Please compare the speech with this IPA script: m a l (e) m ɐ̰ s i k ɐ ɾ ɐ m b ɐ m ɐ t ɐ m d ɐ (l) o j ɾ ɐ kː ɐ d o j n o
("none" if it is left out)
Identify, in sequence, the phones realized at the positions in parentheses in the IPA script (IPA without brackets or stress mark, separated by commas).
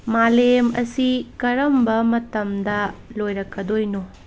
e, l